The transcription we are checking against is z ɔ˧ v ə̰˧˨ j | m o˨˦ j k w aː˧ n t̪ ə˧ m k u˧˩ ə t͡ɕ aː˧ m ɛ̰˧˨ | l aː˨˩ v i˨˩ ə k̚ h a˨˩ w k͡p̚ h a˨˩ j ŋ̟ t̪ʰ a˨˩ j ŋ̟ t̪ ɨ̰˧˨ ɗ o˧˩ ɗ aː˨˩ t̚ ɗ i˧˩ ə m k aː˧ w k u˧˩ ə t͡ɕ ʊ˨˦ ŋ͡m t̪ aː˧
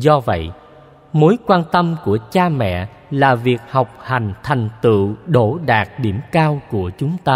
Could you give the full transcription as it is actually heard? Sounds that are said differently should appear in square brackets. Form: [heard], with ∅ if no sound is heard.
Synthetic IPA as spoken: z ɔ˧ v ə̰˧˨ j | m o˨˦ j k w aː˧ n t̪ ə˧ m k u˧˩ ə t͡ɕ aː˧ m ɛ̰˧˨ | l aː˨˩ v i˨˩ ə k̚ h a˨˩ w k͡p̚ h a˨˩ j ŋ̟ t̪ʰ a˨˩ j ŋ̟ t̪ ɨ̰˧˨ ɗ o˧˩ ɗ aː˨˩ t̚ ɗ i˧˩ ə m k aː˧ w k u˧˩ ə t͡ɕ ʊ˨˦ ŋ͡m t̪ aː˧